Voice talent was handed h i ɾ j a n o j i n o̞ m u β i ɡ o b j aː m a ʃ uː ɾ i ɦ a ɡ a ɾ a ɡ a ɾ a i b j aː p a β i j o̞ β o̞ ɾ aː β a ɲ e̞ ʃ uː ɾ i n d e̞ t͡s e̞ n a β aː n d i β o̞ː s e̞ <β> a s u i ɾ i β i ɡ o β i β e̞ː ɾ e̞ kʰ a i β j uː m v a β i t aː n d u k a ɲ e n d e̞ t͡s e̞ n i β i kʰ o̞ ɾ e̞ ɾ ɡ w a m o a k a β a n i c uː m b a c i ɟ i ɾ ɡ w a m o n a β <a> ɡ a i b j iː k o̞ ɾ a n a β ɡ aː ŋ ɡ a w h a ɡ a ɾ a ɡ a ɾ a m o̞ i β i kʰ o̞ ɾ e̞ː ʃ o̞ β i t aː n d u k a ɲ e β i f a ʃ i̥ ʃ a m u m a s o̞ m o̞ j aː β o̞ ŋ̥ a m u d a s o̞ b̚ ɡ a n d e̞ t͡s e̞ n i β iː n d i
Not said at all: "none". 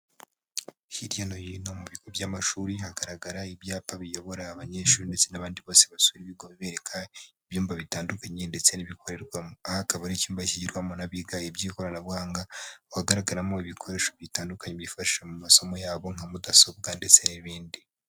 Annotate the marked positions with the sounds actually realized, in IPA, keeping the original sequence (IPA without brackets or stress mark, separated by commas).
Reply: β, i